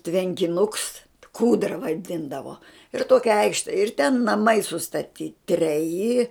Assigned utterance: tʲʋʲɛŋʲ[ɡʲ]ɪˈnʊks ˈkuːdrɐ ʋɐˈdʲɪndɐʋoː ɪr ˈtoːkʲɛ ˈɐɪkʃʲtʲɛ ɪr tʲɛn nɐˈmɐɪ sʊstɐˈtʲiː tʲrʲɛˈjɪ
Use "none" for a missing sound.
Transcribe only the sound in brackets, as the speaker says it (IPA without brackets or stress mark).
kʲ